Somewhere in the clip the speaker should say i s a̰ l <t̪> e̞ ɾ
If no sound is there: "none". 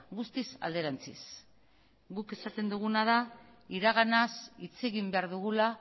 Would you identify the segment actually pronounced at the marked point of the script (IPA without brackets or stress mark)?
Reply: d̪